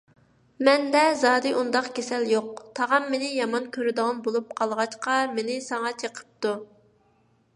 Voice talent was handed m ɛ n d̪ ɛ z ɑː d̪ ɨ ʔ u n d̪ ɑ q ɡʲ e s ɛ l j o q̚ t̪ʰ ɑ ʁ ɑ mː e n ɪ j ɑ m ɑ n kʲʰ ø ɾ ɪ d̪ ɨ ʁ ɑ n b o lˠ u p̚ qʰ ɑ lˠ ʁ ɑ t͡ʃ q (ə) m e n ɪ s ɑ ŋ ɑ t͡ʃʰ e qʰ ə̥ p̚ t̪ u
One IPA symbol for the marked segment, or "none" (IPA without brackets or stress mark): ɑ